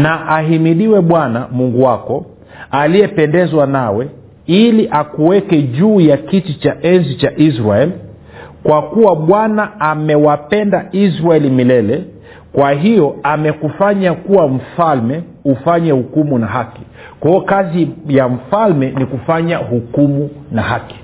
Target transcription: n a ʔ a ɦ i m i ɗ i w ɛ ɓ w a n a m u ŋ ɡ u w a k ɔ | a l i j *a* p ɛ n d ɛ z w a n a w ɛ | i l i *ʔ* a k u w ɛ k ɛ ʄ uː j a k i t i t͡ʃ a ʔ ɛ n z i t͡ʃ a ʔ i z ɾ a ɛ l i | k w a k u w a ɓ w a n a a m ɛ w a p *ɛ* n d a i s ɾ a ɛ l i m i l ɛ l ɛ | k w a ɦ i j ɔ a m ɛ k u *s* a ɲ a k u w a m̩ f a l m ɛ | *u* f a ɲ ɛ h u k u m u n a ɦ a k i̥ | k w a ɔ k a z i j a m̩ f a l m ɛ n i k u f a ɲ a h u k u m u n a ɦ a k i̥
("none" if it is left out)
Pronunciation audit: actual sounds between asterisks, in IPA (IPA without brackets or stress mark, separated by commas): ɛ, ʔ, ɛ, f, u